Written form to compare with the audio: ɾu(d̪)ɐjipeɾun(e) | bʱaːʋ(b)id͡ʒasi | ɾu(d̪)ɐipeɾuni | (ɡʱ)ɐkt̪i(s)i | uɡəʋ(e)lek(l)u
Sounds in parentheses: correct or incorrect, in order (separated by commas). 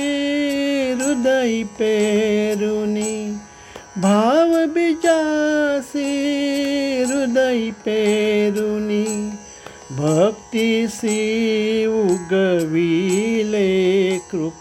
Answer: correct, incorrect, correct, correct, incorrect, correct, incorrect, incorrect